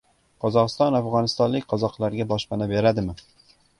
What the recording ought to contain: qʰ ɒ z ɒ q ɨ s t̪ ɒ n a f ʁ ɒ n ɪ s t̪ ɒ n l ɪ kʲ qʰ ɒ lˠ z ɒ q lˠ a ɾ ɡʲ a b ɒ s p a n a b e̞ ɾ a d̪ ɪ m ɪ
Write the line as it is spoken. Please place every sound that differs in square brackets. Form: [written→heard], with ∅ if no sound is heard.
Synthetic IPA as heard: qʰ ɒ z ɒ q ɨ s t̪ ɒ n a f ʁ ɒ n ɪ s t̪ ɒ n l ɪ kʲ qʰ ɒ [lˠ→∅] z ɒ q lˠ a ɾ ɡʲ a b ɒ [s→ʃ] p a n a b e̞ ɾ a d̪ ɪ m ɪ